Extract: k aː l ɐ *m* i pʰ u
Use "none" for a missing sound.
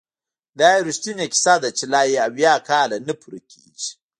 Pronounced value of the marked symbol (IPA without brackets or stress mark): n